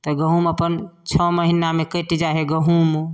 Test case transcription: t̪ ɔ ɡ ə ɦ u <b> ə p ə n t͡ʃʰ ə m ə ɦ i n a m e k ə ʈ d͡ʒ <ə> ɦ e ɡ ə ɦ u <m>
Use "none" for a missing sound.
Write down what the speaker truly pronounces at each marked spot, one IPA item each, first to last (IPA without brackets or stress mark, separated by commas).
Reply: m, a, m